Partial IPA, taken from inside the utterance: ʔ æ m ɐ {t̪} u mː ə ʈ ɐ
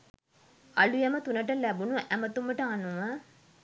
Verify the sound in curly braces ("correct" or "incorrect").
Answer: correct